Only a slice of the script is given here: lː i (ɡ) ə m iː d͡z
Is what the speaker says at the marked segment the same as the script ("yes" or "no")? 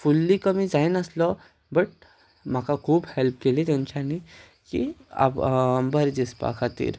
no